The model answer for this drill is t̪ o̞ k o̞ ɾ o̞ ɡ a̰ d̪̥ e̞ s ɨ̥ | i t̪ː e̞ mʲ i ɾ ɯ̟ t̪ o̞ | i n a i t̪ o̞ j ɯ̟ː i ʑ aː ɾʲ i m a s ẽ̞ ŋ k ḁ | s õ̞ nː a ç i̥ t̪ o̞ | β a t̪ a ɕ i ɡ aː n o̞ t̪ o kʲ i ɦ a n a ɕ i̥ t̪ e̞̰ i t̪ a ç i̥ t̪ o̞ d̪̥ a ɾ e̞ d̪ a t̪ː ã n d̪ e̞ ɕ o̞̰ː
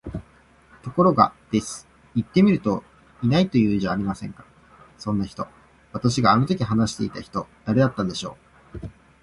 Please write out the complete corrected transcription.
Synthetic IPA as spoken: t̪ o̞ k o̞ ɾ o̞ ɡ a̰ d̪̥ e̞ s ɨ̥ | i t̪ː e̞ mʲ i ɾ ɯ̟ t̪ o̞ | i n a i t̪ o̞ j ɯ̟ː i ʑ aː ɾʲ i m a s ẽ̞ ŋ k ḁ | s õ̞ nː a ç i̥ t̪ o̞ | β a t̪ a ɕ i ɡ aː n o̞ t̪ o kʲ i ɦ a n a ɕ i̥ t̪ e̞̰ i t̪ a ç i̥ t̪ o̞ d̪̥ a ɾ e̞ d̪ a t̪ː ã n d̪ e̞ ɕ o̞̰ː